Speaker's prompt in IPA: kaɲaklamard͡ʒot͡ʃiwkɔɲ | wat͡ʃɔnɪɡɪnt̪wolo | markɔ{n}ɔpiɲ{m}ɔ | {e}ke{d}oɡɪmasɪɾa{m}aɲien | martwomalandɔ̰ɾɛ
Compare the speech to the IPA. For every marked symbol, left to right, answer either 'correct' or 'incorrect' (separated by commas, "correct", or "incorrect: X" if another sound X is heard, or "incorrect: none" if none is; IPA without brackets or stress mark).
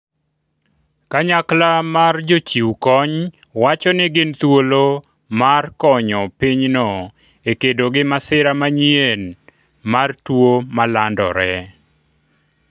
incorrect: ɲ, incorrect: n, correct, correct, correct